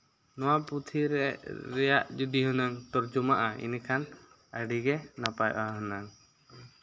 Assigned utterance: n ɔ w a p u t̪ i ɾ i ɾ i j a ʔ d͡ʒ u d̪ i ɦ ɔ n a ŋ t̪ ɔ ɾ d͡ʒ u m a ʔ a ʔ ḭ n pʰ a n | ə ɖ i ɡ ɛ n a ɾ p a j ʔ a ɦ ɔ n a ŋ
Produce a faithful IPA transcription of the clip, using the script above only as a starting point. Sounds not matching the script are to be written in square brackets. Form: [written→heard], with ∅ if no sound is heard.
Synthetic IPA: n ɔ w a p u [t̪→t̪ʰ] i ɾ [i→ɛ] ɾ [i→ɛ] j a ʔ d͡ʒ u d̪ i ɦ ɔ n a ŋ t̪ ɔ ɾ d͡ʒ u m a ʔ a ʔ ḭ n [pʰ→kʰ] a n | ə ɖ i ɡ ɛ n a [ɾ→∅] p a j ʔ a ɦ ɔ n a ŋ